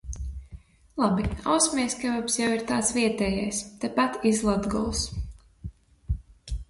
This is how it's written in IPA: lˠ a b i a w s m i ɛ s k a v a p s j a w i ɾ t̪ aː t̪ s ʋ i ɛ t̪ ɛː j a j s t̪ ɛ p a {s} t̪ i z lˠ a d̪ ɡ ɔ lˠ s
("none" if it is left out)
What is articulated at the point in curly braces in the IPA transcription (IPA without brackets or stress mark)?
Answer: none